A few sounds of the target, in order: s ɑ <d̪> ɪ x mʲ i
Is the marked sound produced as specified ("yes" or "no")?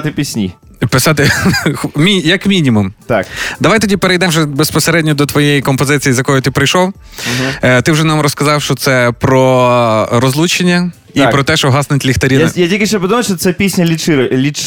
no